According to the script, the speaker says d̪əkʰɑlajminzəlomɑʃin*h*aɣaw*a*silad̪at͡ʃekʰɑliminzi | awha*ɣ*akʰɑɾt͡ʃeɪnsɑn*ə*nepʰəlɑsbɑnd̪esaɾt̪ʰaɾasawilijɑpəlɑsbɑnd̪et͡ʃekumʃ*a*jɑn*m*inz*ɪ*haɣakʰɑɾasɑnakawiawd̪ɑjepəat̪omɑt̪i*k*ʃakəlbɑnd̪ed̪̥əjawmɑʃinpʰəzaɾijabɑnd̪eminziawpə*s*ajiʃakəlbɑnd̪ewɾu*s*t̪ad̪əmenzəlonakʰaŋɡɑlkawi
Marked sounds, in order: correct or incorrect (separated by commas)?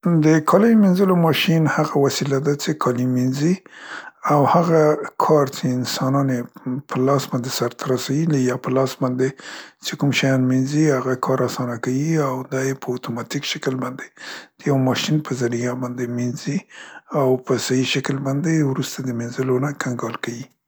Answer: correct, correct, correct, incorrect, correct, correct, incorrect, correct, correct, correct